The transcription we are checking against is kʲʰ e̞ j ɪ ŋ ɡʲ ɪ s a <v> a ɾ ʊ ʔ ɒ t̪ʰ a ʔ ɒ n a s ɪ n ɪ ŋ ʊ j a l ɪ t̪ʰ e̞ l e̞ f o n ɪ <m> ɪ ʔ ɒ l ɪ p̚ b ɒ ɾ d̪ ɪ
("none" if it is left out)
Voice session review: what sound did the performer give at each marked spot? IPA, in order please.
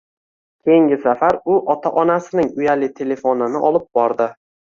f, n

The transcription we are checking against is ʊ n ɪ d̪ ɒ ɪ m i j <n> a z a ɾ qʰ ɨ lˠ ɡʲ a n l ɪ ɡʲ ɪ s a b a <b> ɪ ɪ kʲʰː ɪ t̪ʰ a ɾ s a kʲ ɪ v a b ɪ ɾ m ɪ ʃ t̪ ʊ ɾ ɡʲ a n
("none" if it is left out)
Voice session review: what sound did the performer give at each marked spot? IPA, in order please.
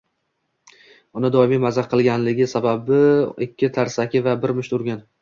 m, b

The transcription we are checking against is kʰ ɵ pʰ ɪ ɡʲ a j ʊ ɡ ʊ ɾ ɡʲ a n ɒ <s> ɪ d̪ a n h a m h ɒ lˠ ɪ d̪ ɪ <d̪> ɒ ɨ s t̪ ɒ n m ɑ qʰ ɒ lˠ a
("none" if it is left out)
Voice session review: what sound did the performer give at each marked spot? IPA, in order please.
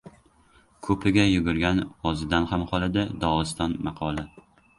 z, d̪

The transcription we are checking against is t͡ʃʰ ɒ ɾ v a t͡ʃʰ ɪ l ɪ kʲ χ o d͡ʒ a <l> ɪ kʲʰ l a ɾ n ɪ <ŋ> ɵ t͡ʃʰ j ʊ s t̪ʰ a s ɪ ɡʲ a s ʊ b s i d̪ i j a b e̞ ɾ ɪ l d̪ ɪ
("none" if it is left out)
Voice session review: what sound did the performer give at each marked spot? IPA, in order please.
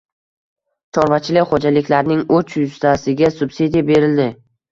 l, ŋ

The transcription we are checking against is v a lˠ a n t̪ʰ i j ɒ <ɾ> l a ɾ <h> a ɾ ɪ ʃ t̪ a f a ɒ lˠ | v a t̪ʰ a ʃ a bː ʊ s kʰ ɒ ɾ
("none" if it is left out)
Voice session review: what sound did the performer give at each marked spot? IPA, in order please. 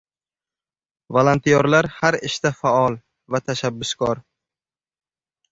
ɾ, h

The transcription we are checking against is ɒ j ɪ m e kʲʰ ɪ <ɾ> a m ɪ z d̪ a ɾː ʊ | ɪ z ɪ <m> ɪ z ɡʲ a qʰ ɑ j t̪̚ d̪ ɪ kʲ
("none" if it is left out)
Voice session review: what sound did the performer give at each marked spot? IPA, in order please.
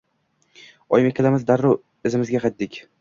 l, m

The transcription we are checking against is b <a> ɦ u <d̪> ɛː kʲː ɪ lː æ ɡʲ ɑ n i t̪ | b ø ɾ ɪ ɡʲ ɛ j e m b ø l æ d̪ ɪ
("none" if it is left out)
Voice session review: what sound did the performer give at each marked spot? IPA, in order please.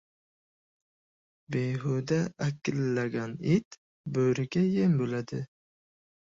e, d̪

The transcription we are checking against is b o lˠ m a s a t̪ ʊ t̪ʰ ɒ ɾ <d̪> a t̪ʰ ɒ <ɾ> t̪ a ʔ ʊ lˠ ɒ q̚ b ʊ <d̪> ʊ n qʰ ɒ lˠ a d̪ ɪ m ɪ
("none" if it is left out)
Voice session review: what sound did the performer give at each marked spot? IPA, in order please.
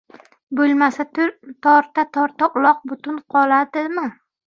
t̪, ɾ, t̪

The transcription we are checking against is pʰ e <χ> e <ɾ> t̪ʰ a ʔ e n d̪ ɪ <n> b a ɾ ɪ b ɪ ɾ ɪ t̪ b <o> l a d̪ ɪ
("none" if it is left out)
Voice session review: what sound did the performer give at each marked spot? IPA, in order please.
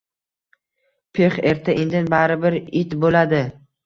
χ, ɾ, n, o

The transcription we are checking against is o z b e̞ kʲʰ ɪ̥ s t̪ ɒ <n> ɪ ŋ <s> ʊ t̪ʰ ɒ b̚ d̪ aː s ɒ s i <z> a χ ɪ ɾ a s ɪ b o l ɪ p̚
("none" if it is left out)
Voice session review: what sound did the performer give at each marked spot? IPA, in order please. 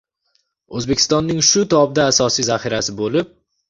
nː, ʃ, z

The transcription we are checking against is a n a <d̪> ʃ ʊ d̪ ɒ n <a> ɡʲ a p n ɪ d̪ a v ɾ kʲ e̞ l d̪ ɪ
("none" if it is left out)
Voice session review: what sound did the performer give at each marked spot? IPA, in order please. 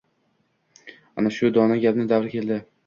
none, a

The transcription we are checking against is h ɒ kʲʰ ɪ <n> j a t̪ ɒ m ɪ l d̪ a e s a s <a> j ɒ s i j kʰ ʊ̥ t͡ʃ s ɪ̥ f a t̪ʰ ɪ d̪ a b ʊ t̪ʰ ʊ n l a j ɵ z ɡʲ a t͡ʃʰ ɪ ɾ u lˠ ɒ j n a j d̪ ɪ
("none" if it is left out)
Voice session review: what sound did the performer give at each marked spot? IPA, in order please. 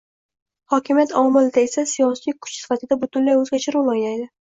m, i

